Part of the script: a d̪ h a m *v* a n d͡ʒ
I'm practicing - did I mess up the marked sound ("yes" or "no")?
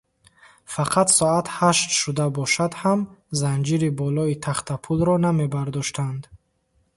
yes